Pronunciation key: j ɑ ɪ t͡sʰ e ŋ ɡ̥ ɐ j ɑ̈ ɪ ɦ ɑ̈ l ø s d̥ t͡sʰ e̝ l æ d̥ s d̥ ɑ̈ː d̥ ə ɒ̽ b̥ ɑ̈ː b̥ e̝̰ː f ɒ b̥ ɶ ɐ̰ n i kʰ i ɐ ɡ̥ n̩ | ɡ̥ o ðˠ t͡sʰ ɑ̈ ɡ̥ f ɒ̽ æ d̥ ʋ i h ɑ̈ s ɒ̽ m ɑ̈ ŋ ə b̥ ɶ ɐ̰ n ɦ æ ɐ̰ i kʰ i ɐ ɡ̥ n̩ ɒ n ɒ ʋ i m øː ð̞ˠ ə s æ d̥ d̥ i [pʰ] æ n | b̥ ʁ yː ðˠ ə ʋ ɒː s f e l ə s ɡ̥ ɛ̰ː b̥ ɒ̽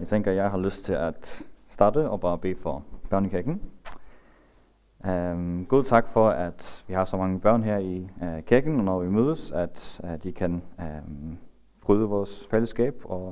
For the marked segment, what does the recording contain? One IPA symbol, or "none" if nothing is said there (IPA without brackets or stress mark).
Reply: kʰ